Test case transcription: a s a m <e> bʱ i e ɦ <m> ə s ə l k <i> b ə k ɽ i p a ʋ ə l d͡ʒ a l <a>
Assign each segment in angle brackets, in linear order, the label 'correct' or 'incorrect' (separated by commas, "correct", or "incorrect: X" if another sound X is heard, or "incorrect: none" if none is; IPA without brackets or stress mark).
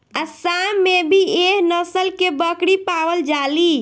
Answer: correct, incorrect: n, incorrect: e, incorrect: i